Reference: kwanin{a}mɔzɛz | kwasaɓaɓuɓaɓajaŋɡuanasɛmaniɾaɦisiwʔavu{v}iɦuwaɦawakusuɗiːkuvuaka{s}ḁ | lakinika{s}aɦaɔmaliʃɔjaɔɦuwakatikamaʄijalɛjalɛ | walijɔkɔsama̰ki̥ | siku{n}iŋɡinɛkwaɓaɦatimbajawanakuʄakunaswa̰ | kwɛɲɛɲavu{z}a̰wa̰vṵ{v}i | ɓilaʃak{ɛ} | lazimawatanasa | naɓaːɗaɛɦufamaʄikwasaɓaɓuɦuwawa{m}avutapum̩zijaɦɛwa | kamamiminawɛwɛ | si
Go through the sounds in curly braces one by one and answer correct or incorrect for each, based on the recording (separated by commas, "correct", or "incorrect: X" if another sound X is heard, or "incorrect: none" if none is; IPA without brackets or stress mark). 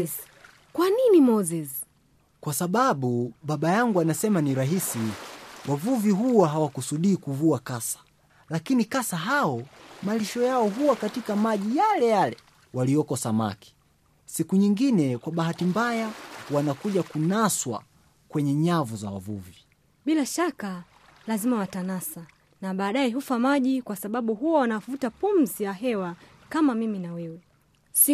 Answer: incorrect: i, correct, correct, correct, incorrect: ɲ, correct, correct, incorrect: a, incorrect: n